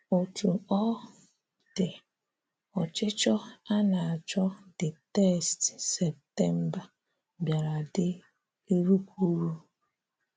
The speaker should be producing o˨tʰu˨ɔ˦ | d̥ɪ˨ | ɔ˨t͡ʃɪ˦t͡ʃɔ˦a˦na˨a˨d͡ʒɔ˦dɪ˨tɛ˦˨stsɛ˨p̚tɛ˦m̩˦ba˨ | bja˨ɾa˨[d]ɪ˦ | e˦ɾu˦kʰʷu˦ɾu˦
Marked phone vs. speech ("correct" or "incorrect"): correct